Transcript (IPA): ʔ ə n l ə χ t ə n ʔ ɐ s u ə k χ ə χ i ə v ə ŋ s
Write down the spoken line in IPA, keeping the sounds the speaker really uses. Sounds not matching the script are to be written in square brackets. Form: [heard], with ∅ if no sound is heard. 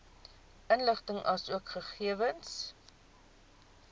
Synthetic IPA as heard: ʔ ə n l ə χ t ə [ŋ] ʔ ɐ s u ə k χ ə χ i ə v ə [n] s